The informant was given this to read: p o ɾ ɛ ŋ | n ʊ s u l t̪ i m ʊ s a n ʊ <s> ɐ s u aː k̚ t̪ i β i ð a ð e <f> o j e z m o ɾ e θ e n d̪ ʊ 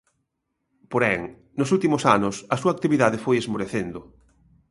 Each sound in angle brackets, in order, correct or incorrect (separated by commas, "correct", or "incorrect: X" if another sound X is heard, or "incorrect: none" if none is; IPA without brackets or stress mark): correct, correct